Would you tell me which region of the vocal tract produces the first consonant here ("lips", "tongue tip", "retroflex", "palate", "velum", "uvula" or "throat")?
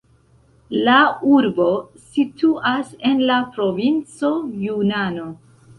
tongue tip